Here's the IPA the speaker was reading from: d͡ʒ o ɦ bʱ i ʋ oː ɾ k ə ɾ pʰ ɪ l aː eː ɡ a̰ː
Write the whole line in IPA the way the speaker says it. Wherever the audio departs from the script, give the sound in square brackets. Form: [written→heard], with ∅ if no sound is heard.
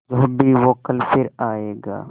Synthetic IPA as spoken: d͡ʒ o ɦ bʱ i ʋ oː [ɾ→∅] k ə [ɾ→l] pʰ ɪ [l→ɾ] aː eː ɡ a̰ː